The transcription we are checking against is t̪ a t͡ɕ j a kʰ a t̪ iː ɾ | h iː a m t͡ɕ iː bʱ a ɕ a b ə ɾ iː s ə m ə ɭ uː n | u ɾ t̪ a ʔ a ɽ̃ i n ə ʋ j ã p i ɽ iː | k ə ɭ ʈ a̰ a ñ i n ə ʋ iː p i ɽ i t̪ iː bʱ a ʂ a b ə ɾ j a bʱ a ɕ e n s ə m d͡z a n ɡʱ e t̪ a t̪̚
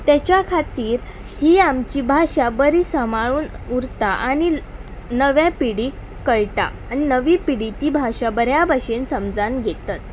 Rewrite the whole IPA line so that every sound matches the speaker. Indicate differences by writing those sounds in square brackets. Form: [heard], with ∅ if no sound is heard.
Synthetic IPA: t̪ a t͡ɕ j a kʰ a t̪ iː ɾ | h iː a m t͡ɕ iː bʱ a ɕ a b ə ɾ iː s ə m [a] ɭ uː n | u ɾ t̪ a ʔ a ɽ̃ i n ə ʋ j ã p i ɽ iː | k ə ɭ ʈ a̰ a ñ i n ə ʋ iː p i ɽ i t̪ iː bʱ a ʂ a b ə ɾ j a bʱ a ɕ e n s ə m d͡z a n ɡʱ e t̪ a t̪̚